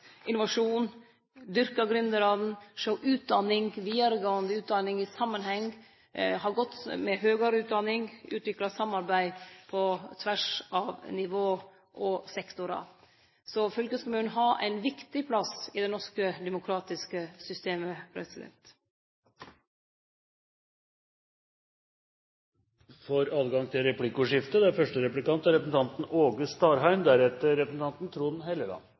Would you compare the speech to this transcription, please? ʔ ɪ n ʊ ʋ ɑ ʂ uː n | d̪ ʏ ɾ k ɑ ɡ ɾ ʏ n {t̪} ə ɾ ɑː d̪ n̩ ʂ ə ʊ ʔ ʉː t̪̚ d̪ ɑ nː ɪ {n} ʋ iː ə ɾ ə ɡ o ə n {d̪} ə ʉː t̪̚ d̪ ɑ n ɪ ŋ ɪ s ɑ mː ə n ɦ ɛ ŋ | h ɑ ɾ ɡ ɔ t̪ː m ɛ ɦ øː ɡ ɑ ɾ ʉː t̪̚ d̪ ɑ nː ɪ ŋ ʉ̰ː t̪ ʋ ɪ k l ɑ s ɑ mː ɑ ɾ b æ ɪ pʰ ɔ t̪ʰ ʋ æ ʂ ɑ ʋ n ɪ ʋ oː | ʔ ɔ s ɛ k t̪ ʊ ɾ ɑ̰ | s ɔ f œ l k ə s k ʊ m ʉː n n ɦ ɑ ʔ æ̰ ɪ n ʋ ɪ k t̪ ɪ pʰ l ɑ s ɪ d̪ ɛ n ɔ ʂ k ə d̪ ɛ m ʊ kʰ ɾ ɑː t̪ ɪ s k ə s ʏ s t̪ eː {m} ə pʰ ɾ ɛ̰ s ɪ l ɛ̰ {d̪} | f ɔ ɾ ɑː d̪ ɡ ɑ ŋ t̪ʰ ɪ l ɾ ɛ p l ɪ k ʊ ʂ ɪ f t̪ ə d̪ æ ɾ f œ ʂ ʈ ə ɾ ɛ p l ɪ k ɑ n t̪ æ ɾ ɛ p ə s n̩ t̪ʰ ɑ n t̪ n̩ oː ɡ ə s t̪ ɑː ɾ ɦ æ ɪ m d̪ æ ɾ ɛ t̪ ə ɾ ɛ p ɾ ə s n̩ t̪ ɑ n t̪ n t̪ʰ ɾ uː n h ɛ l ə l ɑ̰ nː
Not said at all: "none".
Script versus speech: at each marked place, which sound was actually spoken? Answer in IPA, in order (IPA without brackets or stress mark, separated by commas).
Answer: d̪, ŋ, d̪, m, t̪